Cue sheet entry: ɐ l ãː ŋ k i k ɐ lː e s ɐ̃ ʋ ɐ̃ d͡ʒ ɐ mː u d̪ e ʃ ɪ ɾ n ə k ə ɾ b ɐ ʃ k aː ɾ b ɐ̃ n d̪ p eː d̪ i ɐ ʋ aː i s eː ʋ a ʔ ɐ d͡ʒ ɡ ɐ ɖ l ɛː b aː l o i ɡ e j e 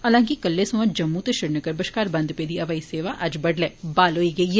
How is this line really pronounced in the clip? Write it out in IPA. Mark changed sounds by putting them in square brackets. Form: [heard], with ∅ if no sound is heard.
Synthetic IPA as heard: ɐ l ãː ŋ k i k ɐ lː e s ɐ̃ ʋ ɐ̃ d͡ʒ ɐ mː u [t̪] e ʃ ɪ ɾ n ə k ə ɾ b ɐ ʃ k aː ɾ b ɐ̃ n d̪ p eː d̪ i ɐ ʋ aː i s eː ʋ a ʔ ɐ d͡ʒ [b] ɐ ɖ l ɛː b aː l o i ɡ e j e